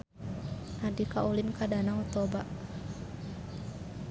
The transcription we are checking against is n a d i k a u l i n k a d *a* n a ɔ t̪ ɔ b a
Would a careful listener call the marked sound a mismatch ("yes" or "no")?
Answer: no